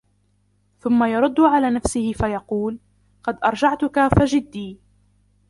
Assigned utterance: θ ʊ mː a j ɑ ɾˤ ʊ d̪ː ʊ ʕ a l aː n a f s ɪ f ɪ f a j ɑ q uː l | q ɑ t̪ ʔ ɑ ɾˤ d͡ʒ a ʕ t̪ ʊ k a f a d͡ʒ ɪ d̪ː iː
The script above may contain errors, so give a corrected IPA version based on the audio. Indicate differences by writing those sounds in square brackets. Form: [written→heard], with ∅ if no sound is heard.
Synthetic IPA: θ ʊ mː a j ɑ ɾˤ ʊ d̪ː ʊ ʕ a l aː n a f s ɪ [f→h] ɪ f a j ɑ q uː l | q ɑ [t̪→d̪] ʔ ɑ ɾˤ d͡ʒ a ʕ t̪ ʊ k a f a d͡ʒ ɪ d̪ː iː